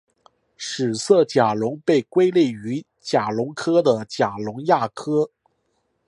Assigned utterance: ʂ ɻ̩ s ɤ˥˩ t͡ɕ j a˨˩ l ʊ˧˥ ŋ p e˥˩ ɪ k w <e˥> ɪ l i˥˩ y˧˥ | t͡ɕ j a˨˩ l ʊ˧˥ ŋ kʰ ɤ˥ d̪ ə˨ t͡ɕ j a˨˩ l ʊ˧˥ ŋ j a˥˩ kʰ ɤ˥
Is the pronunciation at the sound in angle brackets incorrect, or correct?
correct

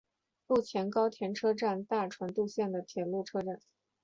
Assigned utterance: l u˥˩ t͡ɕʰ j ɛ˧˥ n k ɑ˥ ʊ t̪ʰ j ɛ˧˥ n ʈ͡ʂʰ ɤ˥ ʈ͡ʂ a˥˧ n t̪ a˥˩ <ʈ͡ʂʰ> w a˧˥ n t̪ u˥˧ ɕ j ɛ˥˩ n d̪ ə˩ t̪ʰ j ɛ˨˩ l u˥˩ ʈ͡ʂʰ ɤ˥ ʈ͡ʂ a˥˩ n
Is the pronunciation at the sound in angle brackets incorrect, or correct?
correct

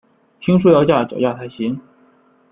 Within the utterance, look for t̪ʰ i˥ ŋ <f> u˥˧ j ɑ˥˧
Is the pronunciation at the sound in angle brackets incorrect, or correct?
incorrect: ʂ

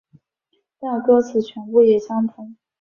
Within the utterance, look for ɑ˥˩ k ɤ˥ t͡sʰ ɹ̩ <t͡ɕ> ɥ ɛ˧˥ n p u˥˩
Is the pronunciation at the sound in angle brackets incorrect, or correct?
incorrect: t͡ɕʰ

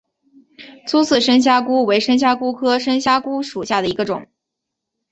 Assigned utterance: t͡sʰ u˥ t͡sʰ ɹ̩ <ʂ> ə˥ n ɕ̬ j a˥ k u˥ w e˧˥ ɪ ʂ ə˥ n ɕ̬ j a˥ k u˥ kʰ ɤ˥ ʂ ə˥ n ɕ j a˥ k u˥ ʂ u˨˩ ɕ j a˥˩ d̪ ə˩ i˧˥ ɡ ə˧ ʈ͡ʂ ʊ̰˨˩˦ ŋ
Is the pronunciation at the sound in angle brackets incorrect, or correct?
correct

